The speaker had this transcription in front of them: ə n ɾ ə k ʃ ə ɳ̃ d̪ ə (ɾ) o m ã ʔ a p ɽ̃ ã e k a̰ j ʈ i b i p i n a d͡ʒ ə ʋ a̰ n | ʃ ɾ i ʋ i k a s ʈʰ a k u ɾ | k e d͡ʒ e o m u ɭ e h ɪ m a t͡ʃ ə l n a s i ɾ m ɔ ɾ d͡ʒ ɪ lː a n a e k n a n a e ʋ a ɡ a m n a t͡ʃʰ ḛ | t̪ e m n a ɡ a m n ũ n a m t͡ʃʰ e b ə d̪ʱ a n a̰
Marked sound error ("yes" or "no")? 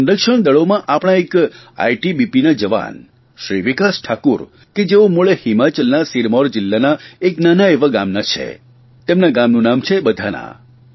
yes